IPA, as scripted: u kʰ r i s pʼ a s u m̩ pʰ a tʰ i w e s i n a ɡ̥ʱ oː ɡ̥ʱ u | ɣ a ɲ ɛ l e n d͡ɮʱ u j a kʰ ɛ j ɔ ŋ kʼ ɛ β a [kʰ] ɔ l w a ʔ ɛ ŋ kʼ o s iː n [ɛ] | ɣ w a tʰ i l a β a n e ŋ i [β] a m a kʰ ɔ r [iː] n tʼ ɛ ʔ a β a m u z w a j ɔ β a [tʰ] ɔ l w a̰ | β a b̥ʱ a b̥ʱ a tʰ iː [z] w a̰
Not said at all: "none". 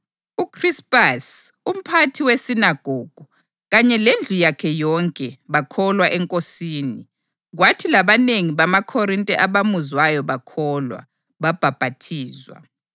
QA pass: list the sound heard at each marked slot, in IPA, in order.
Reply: kʰ, i, β, i, kʰ, z

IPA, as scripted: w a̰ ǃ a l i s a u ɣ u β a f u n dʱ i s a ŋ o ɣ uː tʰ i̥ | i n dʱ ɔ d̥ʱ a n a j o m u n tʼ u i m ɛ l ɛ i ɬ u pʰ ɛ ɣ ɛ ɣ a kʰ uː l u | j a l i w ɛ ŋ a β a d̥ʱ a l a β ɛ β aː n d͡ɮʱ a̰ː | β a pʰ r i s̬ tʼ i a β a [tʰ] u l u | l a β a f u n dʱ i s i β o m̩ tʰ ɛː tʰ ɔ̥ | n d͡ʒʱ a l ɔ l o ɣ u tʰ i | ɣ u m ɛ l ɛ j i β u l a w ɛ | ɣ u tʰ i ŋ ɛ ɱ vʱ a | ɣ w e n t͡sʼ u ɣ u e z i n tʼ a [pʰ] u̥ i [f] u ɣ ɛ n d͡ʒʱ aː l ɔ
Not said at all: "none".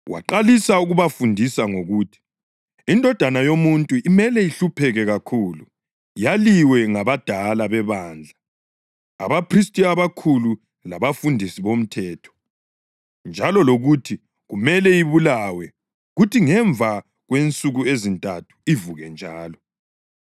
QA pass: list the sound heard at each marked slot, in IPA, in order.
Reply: kʰ, tʰ, v

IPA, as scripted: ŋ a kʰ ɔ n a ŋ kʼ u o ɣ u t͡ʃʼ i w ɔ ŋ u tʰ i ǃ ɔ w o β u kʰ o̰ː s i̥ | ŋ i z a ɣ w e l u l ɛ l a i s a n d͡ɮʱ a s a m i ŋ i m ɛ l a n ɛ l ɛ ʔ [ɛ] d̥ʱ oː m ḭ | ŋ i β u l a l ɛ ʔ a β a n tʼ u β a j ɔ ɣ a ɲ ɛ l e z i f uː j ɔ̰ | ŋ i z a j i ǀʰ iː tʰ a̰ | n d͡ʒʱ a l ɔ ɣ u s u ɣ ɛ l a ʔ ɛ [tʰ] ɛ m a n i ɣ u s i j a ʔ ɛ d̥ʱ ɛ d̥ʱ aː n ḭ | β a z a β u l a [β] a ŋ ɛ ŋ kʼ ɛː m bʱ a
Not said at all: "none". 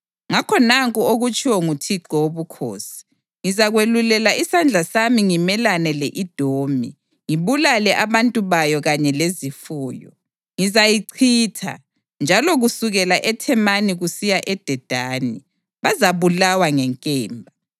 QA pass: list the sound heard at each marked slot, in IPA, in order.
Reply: i, tʰ, w

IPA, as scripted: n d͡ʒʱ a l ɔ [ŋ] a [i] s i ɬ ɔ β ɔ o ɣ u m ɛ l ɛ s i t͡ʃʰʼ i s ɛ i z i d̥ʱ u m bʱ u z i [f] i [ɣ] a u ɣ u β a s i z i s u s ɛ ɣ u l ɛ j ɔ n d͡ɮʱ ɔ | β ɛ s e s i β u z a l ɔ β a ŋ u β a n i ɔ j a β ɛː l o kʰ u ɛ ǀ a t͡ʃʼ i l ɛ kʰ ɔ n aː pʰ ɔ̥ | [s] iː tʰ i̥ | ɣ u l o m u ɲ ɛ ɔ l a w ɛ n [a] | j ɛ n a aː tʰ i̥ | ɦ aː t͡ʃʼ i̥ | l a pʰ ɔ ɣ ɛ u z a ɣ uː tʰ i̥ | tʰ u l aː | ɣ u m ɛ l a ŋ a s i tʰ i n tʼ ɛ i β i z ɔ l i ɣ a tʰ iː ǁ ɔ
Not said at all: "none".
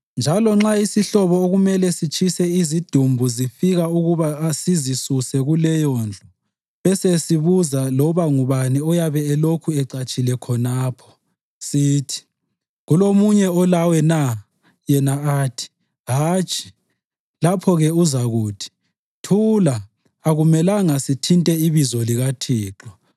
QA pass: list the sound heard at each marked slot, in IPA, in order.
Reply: ŋ͡ǁ, i, f, ɣ, s, a

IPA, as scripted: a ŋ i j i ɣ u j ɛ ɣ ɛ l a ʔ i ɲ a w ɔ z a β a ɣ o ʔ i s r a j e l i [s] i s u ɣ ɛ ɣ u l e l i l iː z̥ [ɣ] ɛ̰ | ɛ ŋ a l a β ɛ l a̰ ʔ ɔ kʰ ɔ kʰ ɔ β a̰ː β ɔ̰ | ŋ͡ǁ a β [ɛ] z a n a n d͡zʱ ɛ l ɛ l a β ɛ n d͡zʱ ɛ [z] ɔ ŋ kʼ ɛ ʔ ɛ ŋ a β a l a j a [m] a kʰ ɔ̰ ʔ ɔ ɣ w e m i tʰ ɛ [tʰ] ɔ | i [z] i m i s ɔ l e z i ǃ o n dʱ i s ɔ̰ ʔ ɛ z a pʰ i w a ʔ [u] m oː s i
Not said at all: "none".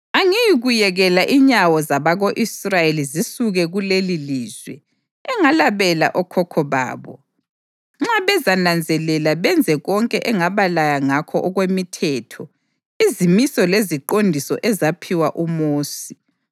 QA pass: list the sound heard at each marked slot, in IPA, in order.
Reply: z, w, ɛ, ɣ, ŋ, tʰ, z, u

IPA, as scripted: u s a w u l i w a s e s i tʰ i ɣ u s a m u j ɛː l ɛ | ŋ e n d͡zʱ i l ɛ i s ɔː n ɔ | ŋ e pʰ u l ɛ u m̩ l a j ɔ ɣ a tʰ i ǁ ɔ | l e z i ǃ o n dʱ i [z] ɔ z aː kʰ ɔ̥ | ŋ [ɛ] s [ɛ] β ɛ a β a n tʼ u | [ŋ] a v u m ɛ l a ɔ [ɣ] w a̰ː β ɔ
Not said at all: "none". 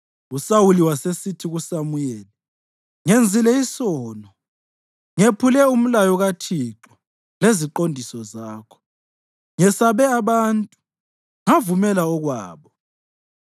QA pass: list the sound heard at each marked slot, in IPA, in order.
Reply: s, ɛ, a, ŋ, ɣ

